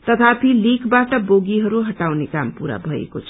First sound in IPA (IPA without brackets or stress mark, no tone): t̪